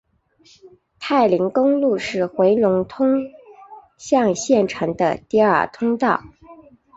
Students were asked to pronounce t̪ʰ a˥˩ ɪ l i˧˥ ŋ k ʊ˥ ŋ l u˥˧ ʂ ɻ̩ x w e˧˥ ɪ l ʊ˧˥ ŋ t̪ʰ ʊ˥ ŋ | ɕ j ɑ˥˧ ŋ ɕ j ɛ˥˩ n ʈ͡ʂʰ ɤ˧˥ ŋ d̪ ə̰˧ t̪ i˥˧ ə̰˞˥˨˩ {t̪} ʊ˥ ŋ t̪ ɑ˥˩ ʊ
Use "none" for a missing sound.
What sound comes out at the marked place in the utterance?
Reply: t̪ʰ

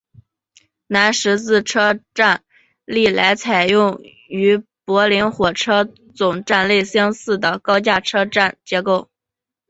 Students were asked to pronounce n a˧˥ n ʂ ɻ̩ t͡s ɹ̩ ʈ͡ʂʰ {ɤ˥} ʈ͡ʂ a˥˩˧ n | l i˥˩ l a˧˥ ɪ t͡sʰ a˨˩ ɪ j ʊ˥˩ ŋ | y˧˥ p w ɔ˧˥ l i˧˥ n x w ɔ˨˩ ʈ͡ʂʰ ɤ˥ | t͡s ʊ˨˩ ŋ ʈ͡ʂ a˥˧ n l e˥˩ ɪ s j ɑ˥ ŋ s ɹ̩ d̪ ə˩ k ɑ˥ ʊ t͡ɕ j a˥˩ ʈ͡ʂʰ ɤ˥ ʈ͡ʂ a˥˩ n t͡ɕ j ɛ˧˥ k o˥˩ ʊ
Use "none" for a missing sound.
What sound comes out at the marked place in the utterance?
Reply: ɤ˥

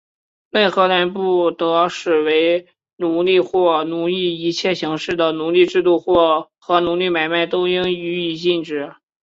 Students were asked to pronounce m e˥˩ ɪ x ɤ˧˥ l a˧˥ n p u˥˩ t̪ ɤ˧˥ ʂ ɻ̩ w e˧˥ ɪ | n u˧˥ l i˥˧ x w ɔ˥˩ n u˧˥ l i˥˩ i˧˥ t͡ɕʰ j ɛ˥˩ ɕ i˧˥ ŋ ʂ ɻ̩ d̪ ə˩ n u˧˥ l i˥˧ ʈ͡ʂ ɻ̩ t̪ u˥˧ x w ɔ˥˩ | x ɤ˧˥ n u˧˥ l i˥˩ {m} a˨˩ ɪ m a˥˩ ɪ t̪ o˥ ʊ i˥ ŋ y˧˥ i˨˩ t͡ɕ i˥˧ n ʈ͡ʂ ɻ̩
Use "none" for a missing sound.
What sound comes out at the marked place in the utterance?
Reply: m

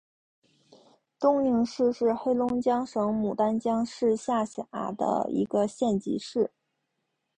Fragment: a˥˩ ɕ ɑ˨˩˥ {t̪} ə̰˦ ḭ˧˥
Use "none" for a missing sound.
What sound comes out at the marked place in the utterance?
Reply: d̪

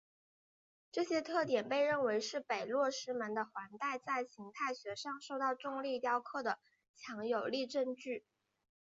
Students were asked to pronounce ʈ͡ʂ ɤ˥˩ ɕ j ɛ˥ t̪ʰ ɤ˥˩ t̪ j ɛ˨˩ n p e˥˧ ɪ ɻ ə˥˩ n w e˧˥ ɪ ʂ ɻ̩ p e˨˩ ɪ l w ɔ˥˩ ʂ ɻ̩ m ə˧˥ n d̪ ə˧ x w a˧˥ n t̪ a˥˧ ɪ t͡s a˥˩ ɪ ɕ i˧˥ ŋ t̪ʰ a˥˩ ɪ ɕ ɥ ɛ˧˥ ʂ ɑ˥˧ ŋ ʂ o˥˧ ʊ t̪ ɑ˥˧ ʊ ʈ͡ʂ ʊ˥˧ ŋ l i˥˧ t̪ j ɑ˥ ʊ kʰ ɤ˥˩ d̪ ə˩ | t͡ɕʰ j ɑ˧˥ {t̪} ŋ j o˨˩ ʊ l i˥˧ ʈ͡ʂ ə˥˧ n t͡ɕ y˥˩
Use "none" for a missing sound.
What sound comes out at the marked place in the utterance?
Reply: none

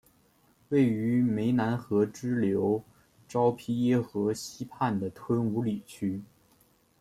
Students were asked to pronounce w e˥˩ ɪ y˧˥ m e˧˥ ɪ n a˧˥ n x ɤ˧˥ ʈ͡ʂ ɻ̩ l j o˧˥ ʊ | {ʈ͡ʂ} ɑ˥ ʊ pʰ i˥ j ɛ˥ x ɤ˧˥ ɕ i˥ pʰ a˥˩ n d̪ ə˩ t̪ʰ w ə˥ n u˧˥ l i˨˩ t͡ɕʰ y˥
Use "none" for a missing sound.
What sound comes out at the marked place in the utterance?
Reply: ʈ͡ʂ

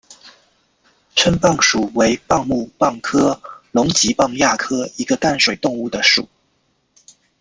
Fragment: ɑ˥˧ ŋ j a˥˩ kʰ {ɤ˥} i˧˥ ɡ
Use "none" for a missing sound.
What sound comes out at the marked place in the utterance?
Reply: ɤ˥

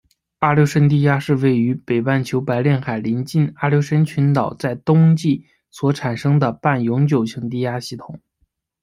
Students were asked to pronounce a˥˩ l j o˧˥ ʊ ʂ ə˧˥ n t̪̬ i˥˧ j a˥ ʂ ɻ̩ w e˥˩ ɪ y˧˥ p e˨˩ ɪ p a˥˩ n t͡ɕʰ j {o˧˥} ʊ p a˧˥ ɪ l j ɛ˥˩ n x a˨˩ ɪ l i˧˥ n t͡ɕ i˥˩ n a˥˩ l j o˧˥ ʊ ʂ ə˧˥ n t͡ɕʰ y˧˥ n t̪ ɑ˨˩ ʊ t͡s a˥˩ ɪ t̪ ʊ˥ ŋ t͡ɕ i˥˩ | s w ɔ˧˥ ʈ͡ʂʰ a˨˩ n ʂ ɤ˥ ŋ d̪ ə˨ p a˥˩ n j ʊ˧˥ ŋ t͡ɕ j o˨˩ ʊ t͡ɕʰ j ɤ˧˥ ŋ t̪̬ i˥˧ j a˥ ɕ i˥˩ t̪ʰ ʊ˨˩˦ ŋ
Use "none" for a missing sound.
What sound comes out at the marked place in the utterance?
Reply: o˧˥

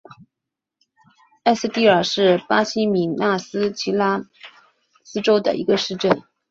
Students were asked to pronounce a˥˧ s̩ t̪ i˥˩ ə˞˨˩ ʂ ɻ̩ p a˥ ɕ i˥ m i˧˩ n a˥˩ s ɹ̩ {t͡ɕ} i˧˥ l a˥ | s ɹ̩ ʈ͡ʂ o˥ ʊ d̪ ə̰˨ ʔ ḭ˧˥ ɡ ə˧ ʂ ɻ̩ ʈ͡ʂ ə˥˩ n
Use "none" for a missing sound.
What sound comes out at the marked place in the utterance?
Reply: t͡ɕʰ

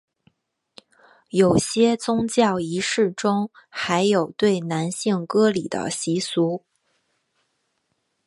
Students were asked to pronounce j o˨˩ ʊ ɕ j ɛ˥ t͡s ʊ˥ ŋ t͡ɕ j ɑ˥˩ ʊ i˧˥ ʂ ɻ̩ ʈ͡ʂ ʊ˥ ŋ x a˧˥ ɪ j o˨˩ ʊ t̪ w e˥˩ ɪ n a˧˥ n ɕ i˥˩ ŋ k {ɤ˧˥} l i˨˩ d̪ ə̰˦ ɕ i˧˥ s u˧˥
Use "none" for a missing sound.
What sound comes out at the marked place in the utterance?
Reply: ɤ˥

